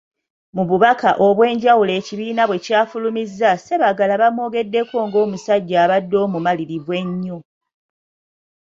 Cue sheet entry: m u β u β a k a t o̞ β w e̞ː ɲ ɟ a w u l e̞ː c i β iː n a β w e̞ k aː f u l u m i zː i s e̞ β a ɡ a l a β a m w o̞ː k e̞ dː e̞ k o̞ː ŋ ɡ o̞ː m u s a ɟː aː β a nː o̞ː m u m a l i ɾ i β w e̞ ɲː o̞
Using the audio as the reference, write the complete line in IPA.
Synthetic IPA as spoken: m u β u β a k a ʔ o̞ β w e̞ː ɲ ɟ a w u l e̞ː c i β iː n a β w e̞ c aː f u l u m i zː a s e̞ β a ɡ a l a β a m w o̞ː ɡ e̞ dː e̞ k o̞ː ŋ ɡ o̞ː m u s a ɟː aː β a dː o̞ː m u m a l i ɾ i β w e̞ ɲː o̞